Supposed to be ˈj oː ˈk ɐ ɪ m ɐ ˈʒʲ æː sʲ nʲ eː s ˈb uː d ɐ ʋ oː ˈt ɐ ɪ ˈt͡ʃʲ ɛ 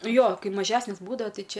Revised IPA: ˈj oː ˈk ɐ ɪ m ɐ ˈʒʲ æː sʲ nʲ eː s ˈb uː d ɐ ʋ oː ˈt ɐ ɪ ˈt͡ʃʲ ɛ

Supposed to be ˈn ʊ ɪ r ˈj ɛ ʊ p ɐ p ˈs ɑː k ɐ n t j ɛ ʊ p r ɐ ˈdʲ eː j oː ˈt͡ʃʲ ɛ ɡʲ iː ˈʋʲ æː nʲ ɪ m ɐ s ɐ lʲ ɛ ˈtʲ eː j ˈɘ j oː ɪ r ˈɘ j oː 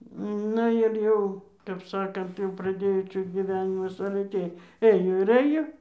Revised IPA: ˈn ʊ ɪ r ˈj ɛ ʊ k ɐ p ˈs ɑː k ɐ n t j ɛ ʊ p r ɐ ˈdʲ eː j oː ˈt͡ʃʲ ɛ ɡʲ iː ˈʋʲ æː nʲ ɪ m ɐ s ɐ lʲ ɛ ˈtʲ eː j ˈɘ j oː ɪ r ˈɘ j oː

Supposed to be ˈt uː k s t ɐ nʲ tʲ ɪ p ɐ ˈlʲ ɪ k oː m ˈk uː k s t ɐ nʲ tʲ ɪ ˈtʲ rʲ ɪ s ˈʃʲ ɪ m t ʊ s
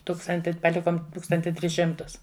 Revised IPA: ˈt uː k s t ɐ nʲ tʲ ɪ p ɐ ˈlʲ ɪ k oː m ˈt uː k s t ɐ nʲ tʲ ɪ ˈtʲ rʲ ɪ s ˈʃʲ ɪ m t ʊ s

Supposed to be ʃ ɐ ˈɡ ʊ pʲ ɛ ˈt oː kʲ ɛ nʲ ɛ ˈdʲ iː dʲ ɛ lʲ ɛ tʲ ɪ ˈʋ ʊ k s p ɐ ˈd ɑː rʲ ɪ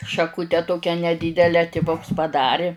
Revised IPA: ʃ ɐ ˈk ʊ tʲ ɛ ˈt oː kʲ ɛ nʲ ɛ ˈdʲ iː dʲ ɛ lʲ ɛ tʲ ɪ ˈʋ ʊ k s p ɐ ˈd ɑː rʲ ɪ

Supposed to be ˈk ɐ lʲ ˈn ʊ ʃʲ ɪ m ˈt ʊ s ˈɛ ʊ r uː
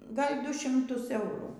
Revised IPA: ˈɡ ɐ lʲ ˈd ʊ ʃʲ ɪ m ˈt ʊ s ˈɛ ʊ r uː

